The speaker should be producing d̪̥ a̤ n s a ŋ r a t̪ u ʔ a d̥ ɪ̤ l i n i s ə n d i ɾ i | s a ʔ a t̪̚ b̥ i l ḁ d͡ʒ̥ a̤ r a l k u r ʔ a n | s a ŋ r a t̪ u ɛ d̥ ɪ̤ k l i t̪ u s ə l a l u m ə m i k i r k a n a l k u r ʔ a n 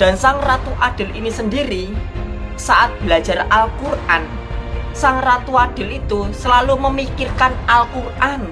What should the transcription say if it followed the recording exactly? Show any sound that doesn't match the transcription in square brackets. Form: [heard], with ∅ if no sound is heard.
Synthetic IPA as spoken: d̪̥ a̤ n s a ŋ r a t̪ u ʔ a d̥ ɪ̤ l i n i s ə n d i ɾ i | s a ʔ a t̪̚ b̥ i l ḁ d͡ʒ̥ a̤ r a l k u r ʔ a n | s a ŋ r a t̪ u [a] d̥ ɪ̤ [∅] l i t̪ u s ə l a l u m ə m i k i r k a n a l k u r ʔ a n